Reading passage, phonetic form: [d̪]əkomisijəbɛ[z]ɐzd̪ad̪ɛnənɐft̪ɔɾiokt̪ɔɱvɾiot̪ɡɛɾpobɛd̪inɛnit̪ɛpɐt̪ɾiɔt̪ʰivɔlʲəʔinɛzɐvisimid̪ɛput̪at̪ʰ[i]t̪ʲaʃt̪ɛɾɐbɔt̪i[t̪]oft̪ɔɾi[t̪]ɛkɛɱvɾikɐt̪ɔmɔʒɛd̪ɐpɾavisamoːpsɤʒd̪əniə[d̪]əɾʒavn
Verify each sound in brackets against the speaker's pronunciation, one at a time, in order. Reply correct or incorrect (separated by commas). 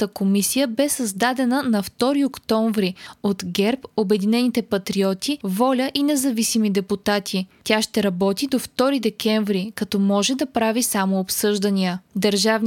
incorrect, incorrect, correct, incorrect, incorrect, correct